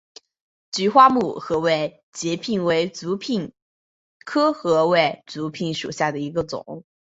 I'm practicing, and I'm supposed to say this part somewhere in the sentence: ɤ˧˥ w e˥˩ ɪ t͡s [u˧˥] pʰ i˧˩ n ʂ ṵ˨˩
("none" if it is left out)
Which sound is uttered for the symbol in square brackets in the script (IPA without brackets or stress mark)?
u˧˥